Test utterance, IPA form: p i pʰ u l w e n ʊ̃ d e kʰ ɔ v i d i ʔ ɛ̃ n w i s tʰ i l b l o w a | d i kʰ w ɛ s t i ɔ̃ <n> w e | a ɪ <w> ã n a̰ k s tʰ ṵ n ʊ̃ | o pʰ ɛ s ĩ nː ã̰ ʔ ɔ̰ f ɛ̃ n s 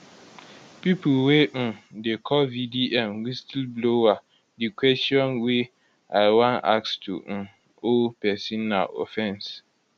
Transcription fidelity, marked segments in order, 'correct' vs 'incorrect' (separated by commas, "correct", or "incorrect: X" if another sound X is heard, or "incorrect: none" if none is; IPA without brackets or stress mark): correct, correct